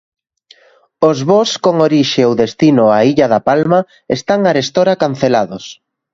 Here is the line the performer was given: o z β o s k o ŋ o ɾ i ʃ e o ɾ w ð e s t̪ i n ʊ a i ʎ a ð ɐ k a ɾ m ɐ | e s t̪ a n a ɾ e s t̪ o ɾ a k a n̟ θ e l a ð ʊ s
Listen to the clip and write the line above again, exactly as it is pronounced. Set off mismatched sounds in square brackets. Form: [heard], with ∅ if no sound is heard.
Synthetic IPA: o z β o s k o ŋ o ɾ i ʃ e o [∅] w ð e s t̪ i n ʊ a i ʎ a ð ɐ [p] a [l] m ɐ | e s t̪ a [ŋ] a ɾ e s t̪ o ɾ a k a n̟ θ e l a ð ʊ s

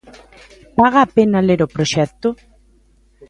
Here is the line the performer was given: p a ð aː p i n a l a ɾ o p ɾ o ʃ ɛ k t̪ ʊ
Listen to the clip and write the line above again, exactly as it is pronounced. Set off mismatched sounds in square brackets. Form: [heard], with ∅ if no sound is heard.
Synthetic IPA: p a [ɣ] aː p [e] n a l [e] ɾ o p ɾ o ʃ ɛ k t̪ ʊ

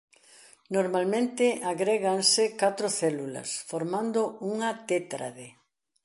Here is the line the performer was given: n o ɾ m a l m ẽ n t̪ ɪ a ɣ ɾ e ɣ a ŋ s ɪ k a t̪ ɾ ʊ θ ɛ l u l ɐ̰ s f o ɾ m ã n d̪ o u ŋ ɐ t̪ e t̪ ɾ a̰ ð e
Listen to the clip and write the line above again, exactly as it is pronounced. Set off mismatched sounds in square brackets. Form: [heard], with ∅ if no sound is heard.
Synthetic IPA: n o ɾ m a l m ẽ n t̪ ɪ a ɣ ɾ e ɣ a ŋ s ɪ k a t̪ ɾ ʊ θ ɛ l u l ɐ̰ s f o ɾ m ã n d̪ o u ŋ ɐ t̪ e t̪ ɾ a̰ ð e

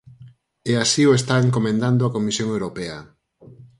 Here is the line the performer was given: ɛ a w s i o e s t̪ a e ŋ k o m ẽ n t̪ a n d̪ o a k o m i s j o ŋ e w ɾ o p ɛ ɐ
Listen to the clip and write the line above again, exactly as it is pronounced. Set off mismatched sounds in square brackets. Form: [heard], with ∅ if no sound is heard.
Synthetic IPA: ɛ a [∅] s i o e s t̪ a e ŋ k o m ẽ n [d̪] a n d̪ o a k o m i s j o ŋ e w ɾ o p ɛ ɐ

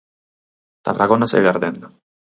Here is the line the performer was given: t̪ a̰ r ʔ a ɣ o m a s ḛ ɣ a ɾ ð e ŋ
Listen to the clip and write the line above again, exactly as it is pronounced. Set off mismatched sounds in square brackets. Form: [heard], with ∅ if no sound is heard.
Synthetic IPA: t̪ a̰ r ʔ a ɣ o [n] a s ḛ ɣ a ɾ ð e [n]

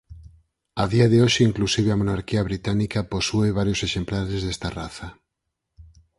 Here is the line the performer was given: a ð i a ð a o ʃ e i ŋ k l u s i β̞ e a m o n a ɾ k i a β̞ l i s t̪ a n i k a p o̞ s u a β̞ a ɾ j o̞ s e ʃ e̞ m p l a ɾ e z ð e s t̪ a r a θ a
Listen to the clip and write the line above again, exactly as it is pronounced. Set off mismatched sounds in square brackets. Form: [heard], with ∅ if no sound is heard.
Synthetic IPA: a ð i a ð [e] o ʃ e i ŋ k l u s i β̞ e a m o n a ɾ k i a β̞ [ɾ] i [∅] t̪ a n i k a p o̞ s u [e] β̞ a ɾ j o̞ s e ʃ e̞ m p l a ɾ e z ð e s t̪ a r a θ a

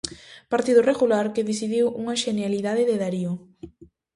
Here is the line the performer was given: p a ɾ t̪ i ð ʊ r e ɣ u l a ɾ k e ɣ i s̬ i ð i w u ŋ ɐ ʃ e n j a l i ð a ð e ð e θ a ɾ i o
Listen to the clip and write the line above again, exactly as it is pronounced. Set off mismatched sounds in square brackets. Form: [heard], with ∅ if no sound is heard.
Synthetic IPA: p a ɾ t̪ i ð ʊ r e ɣ u l a ɾ k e [ð] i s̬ i ð i w u ŋ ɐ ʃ e n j a l i ð a ð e ð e [ð] a ɾ i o

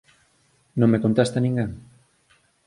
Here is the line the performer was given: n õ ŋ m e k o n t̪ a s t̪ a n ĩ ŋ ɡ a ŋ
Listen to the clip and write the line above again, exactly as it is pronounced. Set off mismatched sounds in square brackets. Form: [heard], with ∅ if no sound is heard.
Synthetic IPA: n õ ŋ m e k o n t̪ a s t̪ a n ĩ ŋ ɡ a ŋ

